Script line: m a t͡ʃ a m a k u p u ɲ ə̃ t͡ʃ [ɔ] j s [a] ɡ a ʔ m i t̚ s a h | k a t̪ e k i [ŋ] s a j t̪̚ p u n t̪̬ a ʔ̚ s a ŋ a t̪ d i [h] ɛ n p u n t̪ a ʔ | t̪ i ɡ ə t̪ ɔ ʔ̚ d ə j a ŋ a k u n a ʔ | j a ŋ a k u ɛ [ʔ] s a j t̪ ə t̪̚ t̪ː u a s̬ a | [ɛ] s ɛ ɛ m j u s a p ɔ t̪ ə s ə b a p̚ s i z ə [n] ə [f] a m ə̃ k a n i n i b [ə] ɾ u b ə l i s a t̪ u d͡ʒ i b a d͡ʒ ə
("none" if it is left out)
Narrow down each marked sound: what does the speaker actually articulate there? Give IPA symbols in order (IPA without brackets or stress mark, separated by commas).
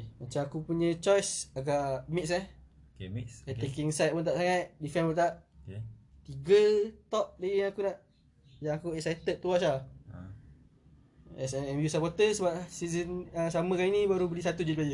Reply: ɔ, a, ŋ, f, k, ɛ, n, s, a